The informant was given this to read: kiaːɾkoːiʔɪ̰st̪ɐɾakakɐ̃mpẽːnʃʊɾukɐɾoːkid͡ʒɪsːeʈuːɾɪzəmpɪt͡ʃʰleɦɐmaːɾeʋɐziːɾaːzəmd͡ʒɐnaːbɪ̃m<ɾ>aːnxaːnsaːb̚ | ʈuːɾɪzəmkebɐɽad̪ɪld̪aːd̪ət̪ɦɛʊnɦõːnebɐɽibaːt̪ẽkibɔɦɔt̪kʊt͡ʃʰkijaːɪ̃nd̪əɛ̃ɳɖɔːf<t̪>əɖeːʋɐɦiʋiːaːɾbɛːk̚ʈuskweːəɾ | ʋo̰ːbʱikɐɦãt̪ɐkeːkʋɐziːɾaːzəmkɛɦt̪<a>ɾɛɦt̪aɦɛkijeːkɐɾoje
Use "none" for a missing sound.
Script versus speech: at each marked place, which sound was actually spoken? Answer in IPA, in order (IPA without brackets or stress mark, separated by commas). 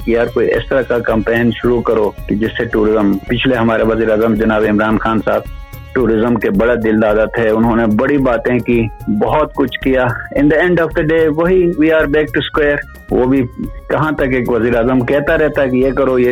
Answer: ɾ, d̪, a